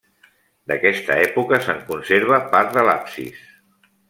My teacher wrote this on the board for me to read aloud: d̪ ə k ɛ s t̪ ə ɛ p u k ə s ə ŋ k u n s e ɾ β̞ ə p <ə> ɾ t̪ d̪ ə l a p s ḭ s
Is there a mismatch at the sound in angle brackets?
yes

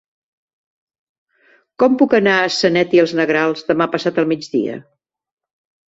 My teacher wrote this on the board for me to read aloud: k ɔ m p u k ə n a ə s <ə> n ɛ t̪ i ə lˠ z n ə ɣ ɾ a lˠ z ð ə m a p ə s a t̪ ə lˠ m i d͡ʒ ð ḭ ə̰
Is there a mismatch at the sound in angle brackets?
no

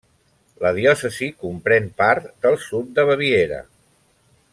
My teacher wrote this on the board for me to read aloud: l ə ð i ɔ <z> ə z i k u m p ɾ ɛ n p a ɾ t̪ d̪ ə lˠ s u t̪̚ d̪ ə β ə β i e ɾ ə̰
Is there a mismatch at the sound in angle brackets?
yes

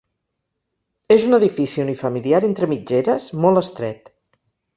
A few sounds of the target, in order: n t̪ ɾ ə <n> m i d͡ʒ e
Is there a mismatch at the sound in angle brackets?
yes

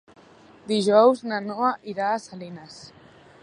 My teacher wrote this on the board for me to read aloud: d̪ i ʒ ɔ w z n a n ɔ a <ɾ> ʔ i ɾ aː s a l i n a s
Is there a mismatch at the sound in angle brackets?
yes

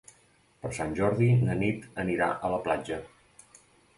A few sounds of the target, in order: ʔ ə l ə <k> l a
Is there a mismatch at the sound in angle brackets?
yes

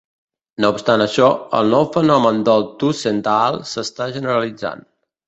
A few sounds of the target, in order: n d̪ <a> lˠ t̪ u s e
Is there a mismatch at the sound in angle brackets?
yes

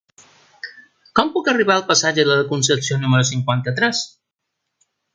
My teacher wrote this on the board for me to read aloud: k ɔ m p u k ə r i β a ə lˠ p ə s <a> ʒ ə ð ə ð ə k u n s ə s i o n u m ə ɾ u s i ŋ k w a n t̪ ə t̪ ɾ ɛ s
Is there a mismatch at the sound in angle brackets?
no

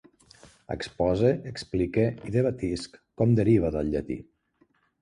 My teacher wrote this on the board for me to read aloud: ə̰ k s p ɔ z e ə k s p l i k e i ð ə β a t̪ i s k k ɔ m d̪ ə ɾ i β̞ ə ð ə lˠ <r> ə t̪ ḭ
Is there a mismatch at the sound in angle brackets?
yes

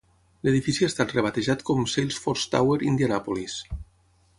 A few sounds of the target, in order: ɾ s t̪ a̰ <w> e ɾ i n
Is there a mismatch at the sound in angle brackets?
no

